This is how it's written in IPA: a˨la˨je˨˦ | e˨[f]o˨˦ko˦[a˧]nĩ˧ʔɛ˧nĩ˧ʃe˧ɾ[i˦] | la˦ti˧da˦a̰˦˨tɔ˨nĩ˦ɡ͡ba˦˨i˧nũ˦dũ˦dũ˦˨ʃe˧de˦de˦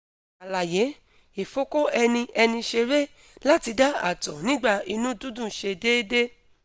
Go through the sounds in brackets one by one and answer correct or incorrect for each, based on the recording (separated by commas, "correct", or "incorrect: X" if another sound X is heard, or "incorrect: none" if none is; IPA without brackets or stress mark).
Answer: correct, incorrect: ɛ˧, incorrect: e˦